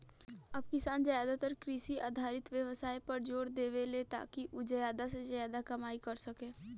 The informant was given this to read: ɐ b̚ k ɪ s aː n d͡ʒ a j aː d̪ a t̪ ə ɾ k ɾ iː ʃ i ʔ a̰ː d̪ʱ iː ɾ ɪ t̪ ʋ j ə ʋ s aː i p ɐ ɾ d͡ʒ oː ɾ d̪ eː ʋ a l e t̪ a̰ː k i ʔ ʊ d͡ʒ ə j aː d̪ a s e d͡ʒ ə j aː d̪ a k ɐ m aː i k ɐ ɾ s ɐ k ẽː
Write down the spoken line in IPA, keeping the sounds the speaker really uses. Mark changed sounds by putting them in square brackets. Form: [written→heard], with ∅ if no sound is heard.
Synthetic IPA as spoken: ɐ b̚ k ɪ s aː n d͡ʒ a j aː d̪ a t̪ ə ɾ k ɾ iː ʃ i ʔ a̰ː d̪ʱ [iː→aː] ɾ ɪ t̪ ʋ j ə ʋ s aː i p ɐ ɾ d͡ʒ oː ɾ d̪ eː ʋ [a→e] l e t̪ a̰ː k i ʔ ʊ d͡ʒ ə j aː d̪ a s e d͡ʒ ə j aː d̪ a k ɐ m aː i k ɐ ɾ s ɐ k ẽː